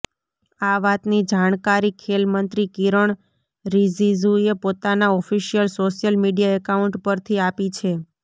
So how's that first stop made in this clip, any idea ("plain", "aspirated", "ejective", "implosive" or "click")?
plain